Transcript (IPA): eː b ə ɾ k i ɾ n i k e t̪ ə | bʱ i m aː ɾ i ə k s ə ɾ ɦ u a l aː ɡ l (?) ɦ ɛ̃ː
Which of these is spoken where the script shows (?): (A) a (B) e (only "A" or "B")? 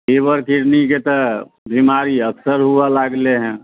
B